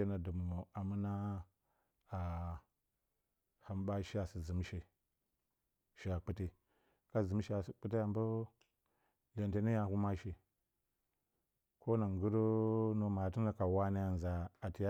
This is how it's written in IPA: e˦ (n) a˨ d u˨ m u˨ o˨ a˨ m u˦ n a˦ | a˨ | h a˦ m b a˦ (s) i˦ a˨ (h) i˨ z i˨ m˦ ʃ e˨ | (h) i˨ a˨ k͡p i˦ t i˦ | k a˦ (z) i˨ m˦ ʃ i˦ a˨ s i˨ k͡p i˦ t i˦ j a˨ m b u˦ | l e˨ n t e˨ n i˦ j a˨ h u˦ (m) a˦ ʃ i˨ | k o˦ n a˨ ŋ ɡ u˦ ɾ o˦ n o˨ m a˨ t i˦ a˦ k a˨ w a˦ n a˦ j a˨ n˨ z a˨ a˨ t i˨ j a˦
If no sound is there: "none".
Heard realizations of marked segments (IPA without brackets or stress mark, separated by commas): n, ʃ, s, ʃ, z, m